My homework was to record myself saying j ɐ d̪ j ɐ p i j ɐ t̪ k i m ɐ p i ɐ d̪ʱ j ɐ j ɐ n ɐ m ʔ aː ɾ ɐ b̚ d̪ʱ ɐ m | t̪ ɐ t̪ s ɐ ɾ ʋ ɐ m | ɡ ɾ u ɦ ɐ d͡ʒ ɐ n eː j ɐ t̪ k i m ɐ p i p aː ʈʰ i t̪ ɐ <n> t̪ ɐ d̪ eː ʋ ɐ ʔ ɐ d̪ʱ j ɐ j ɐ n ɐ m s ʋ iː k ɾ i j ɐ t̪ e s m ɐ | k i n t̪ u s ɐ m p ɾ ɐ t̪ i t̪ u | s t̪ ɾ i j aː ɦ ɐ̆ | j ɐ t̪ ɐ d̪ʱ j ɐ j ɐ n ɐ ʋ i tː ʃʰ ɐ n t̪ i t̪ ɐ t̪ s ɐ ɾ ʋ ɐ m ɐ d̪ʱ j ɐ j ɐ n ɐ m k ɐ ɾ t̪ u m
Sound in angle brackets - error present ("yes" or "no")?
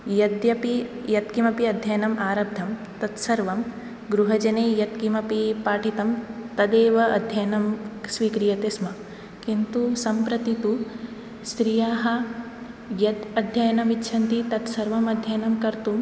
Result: yes